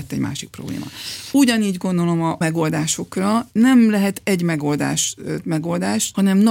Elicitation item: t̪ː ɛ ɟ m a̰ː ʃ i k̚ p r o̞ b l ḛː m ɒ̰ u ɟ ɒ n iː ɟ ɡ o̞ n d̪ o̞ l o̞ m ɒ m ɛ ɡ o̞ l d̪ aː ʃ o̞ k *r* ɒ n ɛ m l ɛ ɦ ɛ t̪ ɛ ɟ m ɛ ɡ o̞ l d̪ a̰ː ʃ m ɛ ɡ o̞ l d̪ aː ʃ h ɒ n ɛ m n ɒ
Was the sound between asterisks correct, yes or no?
yes